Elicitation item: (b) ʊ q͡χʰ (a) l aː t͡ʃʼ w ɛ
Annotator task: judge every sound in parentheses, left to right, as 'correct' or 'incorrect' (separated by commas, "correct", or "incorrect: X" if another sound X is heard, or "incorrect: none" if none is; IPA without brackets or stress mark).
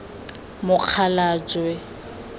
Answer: incorrect: m, correct